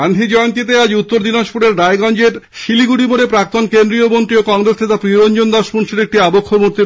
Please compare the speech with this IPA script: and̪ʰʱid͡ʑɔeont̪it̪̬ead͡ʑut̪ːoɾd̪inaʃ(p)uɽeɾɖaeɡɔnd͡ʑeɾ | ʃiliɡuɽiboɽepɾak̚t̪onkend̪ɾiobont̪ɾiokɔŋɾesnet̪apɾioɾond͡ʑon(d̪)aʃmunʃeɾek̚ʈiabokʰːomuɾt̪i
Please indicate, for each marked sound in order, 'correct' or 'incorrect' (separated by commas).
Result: correct, correct